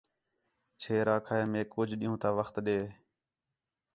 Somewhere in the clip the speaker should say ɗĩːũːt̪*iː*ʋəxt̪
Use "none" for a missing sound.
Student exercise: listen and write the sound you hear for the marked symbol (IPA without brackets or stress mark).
aː